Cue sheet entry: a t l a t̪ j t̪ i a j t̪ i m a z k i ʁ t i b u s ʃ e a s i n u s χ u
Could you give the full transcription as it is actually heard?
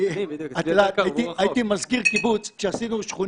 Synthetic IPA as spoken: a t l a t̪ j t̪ i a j t̪ i m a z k i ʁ k i b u t͡s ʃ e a s i n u ʃ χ u